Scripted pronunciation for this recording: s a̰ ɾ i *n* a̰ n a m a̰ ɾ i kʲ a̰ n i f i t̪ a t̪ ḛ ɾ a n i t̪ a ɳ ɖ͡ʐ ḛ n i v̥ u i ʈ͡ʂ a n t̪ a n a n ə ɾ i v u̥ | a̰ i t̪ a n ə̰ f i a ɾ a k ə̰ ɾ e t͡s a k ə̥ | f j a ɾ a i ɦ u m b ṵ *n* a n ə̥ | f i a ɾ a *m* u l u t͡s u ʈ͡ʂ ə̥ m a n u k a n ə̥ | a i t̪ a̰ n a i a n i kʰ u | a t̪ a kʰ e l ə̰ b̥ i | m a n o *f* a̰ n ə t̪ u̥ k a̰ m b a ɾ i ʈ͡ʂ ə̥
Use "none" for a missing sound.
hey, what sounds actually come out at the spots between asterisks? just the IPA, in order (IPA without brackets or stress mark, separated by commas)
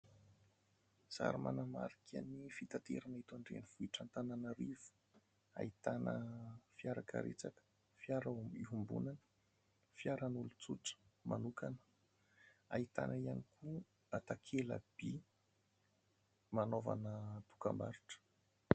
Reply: m, n, n, v